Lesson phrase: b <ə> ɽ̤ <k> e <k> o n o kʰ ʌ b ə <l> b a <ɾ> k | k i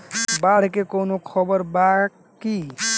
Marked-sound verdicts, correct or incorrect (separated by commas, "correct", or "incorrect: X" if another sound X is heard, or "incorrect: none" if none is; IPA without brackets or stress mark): incorrect: a, correct, correct, incorrect: ɾ, incorrect: none